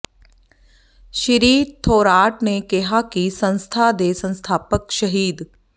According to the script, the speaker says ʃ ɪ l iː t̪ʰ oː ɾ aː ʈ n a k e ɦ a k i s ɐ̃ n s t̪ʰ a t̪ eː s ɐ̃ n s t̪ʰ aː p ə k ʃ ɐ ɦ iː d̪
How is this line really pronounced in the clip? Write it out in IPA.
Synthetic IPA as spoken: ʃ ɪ ɾ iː t̪ʰ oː ɾ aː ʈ n e k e ɦ a k i s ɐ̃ n s t̪ʰ a d̪ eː s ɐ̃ n s t̪ʰ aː p ə k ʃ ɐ ɦ iː d̪